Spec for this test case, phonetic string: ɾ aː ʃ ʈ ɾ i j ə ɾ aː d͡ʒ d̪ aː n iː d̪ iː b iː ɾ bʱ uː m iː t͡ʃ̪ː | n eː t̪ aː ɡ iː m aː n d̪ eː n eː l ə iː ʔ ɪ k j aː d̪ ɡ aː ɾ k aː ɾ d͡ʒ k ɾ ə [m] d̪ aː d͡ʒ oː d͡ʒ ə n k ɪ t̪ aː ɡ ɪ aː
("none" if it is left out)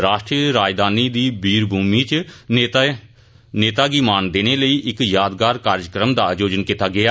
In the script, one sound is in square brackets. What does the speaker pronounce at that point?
m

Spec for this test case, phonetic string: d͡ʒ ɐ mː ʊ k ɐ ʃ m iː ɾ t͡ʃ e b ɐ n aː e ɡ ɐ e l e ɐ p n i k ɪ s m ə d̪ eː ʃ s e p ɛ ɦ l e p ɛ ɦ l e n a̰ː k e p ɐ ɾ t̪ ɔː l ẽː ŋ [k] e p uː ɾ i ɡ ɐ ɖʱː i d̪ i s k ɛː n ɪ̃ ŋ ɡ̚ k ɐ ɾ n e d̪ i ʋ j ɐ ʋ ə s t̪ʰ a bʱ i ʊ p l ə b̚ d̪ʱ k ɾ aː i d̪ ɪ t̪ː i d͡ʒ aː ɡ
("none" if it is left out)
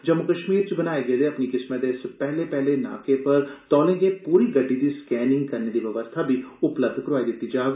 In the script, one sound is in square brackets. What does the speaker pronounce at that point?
ɡ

